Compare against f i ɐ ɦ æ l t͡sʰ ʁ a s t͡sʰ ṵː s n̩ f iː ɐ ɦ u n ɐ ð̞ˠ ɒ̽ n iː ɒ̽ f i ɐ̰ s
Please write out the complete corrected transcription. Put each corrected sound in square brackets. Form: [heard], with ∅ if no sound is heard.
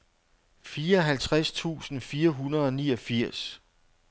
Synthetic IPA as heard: f [iː] ɐ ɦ æ l t͡sʰ ʁ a s t͡sʰ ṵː s n̩ f iː ɐ ɦ u n ɐ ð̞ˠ ɒ̽ n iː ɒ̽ f i ɐ̰ s